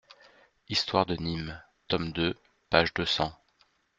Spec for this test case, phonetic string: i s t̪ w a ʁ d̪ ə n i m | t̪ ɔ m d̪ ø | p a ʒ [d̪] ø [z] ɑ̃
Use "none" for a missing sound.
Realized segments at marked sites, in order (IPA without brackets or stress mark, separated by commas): d̪, s